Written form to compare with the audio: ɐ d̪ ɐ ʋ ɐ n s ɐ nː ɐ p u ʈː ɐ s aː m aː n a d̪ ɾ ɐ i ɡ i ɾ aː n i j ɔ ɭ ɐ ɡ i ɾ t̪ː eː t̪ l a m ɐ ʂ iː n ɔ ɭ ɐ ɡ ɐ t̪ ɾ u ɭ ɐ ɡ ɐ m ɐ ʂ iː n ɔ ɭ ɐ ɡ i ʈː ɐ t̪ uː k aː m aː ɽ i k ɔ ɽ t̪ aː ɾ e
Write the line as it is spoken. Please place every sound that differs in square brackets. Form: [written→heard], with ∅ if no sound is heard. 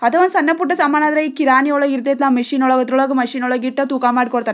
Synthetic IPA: ɐ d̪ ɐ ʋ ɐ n s ɐ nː ɐ p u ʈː ɐ s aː m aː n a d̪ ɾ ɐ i [ɡ→k] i ɾ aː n i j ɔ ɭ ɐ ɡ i ɾ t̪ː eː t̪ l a m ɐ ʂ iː n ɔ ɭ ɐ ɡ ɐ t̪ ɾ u ɭ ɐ ɡ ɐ m ɐ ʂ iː n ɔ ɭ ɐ ɡ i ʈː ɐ t̪ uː k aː m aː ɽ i k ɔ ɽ t̪ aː ɾ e